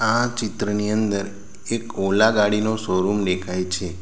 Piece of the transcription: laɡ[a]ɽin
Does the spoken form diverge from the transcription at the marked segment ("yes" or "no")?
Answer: no